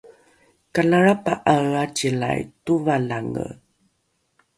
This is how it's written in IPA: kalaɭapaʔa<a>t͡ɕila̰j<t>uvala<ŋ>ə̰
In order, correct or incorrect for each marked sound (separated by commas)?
correct, correct, correct